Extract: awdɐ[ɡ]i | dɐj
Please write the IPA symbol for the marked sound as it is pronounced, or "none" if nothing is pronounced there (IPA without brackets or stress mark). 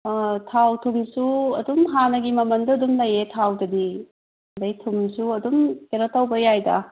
d